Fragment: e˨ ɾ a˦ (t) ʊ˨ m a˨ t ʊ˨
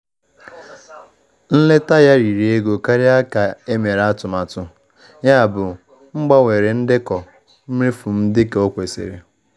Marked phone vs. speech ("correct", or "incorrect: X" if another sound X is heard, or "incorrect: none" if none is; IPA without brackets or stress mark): correct